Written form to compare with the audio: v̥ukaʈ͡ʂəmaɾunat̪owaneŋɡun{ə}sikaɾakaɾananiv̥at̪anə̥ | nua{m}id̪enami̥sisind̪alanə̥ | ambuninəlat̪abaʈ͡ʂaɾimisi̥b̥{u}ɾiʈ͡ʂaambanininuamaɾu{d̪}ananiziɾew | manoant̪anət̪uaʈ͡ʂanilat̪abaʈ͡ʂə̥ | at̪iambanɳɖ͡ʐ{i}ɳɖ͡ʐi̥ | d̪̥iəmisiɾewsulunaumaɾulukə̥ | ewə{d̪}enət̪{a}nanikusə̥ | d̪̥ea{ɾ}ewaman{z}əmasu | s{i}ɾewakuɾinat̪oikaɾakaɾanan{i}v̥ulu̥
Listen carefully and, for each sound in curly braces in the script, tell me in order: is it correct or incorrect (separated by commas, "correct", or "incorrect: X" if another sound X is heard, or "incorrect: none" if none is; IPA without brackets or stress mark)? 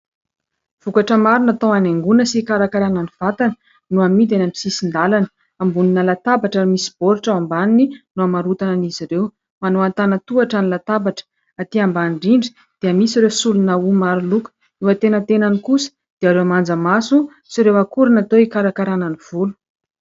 correct, correct, incorrect: o, incorrect: t̪, correct, incorrect: t̪, incorrect: e, correct, incorrect: d͡z, correct, correct